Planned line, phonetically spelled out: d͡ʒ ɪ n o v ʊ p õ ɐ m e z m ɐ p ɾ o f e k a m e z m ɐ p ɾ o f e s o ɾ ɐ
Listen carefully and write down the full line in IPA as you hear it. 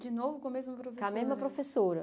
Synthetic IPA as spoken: d͡ʒ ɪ n o v ʊ k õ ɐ m e z m ɐ p ɾ o f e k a m e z m ɐ p ɾ o f e s o ɾ ɐ